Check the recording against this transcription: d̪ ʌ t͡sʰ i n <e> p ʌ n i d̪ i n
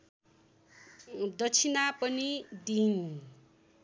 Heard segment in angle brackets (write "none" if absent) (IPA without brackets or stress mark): a